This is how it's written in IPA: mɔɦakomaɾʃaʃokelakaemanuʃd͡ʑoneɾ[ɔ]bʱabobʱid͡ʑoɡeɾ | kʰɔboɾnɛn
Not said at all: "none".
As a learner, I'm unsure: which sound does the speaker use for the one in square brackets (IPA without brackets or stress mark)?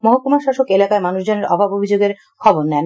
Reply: ɔ